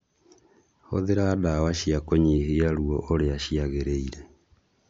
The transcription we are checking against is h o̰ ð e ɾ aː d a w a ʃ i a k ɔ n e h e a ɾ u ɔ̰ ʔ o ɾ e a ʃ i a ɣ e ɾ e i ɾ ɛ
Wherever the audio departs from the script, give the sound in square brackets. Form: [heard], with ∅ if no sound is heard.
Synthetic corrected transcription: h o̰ ð e ɾ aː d a w a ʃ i a k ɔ [ɲ] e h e a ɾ u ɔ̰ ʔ o ɾ e a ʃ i a ɣ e ɾ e i ɾ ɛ